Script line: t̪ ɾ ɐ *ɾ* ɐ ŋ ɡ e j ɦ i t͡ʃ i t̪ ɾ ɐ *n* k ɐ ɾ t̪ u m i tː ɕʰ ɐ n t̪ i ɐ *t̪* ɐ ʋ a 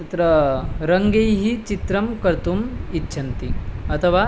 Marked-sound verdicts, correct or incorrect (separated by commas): correct, incorrect, incorrect